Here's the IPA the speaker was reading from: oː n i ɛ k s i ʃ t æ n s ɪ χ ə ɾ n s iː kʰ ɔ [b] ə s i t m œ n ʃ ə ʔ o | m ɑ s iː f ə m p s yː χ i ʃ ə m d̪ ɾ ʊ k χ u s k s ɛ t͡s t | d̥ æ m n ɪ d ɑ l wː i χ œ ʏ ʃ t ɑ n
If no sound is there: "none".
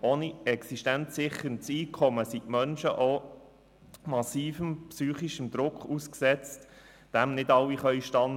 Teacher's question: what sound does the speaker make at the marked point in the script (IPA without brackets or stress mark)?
m